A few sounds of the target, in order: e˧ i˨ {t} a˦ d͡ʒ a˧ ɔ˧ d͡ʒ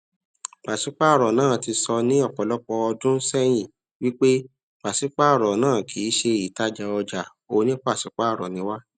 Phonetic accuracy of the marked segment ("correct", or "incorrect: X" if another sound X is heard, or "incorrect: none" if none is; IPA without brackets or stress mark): correct